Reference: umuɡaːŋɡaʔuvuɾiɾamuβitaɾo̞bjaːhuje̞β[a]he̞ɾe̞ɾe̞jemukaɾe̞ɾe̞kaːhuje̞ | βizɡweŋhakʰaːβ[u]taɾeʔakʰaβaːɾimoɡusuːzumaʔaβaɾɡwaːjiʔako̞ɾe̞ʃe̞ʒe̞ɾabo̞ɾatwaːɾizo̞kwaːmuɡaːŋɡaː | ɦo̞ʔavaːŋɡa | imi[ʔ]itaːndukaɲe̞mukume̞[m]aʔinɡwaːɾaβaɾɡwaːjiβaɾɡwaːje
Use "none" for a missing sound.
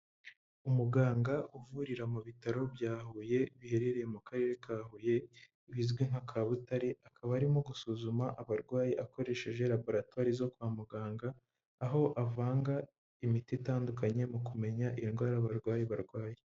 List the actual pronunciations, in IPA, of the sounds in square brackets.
i, u, t, ɲ

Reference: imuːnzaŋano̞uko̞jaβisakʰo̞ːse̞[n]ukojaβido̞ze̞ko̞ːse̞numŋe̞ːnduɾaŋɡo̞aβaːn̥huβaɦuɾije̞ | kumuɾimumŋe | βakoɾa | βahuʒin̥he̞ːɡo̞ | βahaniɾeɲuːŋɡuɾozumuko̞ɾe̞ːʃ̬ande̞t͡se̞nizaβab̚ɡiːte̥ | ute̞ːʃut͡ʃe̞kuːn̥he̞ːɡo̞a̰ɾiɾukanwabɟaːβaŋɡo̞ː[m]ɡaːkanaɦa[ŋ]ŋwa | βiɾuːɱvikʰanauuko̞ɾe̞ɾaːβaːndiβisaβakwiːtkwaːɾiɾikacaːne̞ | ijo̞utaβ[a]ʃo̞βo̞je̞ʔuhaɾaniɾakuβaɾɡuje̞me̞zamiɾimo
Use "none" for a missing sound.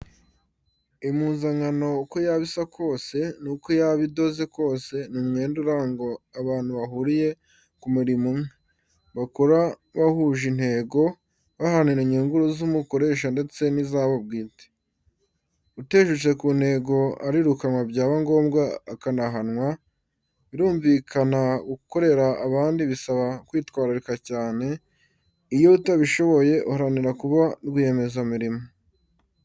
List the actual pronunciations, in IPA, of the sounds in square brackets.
n, m, n, i

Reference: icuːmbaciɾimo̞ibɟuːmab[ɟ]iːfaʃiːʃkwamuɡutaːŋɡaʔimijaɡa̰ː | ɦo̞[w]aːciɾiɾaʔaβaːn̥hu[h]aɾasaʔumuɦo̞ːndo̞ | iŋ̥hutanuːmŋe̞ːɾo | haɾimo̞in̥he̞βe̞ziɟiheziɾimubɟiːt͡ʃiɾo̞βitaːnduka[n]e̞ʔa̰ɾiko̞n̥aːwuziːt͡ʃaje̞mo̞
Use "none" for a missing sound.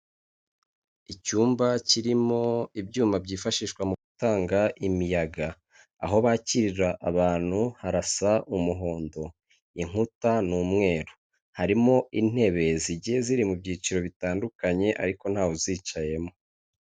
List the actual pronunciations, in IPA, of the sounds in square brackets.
ɟ, β, h, ɲ

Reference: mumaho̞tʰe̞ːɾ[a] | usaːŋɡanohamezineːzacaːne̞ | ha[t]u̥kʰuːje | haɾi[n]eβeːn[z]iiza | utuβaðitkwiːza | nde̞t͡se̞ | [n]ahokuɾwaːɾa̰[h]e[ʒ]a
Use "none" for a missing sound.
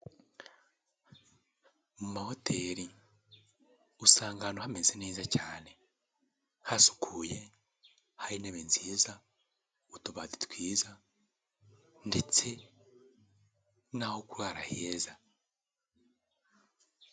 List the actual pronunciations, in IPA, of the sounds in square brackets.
i, s, n, z, n, h, z

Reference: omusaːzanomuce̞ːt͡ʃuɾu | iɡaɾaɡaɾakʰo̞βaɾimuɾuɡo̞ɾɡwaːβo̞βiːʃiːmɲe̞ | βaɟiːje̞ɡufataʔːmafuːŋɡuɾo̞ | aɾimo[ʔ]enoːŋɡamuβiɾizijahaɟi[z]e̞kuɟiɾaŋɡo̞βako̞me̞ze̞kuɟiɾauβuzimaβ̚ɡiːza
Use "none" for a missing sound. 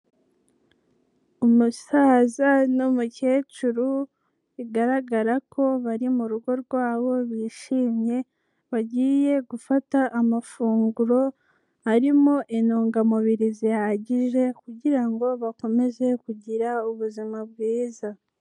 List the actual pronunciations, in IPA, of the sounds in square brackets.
ʔ, ʒ

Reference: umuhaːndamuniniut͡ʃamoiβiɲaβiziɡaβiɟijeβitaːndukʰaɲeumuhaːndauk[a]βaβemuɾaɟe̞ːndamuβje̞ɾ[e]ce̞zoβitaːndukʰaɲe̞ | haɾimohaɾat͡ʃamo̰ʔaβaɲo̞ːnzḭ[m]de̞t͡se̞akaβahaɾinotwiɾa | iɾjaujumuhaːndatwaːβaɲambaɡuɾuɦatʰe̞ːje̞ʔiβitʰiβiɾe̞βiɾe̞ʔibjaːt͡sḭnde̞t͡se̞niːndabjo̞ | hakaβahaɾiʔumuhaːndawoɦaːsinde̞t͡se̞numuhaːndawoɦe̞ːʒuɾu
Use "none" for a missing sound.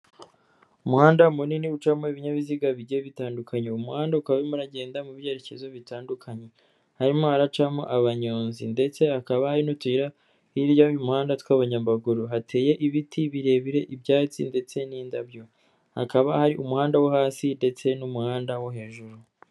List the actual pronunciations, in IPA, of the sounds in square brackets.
a, e, n

